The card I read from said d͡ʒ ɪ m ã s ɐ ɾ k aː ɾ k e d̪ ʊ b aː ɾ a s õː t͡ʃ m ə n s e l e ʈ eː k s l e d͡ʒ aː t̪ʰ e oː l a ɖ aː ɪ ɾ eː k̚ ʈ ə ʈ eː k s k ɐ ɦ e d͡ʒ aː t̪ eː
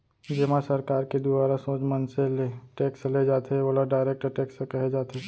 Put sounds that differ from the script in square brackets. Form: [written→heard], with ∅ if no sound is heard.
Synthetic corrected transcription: d͡ʒ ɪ m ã s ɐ ɾ k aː ɾ k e d̪ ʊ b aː ɾ a s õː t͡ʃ m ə n s e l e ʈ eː k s l e d͡ʒ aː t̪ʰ e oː l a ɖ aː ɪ ɾ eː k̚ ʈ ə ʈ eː k s k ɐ ɦ e d͡ʒ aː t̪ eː